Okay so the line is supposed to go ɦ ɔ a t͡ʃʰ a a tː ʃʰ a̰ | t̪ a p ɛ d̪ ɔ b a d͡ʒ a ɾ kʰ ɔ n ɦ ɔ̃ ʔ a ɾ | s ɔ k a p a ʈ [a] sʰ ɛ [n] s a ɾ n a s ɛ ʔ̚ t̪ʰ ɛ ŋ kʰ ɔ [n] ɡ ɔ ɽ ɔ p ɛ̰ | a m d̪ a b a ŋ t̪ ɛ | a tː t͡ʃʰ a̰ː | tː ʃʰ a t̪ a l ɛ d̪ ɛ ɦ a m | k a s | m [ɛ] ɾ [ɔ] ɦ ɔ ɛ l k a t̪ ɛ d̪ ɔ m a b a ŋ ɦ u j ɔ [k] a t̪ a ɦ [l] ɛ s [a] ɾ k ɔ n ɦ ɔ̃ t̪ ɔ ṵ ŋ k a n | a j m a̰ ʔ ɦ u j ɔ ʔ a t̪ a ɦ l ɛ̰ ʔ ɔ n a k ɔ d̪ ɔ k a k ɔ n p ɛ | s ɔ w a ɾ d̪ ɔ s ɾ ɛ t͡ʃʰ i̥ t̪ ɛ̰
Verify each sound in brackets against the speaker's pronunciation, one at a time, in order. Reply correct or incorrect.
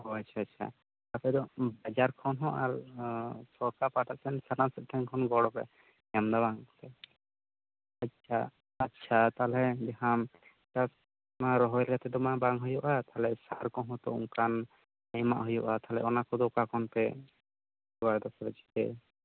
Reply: correct, correct, correct, incorrect, correct, incorrect, correct, correct

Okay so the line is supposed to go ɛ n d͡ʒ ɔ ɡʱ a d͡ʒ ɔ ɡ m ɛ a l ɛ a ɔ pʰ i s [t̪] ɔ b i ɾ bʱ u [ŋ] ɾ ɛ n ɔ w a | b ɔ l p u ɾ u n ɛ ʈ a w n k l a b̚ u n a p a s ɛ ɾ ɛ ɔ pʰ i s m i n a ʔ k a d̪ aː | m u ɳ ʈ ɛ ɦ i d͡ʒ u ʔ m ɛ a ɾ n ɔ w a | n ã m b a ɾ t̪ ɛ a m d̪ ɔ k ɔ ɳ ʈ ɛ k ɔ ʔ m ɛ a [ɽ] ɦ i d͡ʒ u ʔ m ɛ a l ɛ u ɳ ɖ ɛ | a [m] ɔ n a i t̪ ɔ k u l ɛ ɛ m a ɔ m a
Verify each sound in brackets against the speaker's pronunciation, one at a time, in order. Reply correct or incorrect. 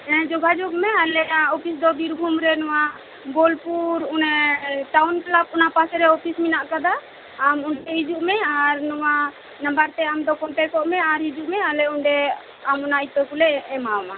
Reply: incorrect, incorrect, incorrect, correct

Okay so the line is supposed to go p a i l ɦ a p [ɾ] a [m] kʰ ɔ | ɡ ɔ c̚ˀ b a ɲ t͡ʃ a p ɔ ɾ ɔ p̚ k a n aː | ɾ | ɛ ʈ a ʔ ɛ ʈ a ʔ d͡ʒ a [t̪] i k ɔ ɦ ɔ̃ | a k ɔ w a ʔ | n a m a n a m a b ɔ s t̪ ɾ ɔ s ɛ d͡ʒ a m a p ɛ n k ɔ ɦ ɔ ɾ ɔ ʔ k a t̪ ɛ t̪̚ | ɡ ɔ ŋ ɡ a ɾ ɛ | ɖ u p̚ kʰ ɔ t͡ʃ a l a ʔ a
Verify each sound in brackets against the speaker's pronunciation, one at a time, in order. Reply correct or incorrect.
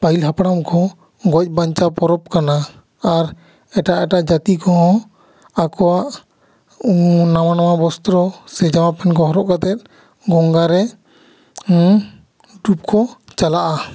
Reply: incorrect, correct, correct

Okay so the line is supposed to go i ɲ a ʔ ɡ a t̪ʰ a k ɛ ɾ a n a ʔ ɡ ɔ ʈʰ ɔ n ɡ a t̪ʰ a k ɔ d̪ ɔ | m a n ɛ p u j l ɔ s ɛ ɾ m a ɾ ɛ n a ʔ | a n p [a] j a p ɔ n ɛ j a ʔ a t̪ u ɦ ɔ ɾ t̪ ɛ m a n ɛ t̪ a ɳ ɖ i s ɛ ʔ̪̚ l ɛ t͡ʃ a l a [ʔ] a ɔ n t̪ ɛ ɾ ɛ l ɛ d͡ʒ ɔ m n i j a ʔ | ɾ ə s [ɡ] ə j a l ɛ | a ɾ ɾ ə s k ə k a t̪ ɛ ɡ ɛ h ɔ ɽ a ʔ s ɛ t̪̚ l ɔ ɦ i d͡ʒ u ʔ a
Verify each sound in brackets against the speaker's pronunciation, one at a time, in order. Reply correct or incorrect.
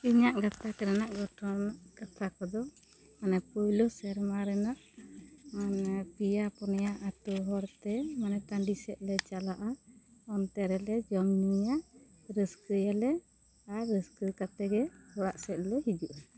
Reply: incorrect, correct, incorrect

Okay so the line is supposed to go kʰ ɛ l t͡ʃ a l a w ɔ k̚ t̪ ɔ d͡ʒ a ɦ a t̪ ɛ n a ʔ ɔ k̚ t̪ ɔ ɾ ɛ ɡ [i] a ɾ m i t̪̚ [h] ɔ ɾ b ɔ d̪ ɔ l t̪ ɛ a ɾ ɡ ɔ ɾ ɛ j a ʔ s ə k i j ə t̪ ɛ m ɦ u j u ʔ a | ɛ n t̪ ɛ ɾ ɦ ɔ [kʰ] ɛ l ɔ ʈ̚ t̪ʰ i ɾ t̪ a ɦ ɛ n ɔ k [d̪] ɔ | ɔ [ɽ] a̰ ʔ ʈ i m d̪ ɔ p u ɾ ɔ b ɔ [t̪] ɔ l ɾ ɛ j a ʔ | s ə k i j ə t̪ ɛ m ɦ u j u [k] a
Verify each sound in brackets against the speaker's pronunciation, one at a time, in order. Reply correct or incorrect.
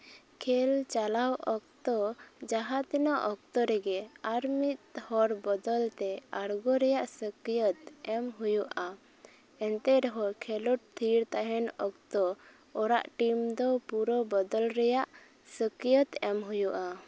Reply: incorrect, correct, correct, incorrect, incorrect, incorrect, incorrect

